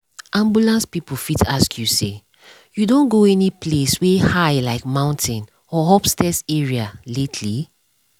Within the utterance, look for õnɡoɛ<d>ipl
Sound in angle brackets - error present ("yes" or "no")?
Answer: yes